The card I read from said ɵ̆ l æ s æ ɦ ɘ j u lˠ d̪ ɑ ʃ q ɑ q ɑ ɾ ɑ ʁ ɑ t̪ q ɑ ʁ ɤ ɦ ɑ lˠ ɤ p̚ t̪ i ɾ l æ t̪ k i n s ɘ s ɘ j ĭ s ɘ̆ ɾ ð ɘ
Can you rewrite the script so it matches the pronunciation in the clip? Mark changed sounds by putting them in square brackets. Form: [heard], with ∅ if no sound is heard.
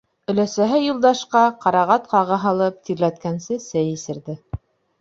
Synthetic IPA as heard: ɵ̆ l æ s æ ɦ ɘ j u lˠ d̪ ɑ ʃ q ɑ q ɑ ɾ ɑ ʁ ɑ t̪ q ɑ ʁ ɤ ɦ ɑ lˠ ɤ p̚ t̪ i ɾ l æ t̪ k [æ] n s ɘ s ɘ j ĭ s ɘ̆ ɾ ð ɘ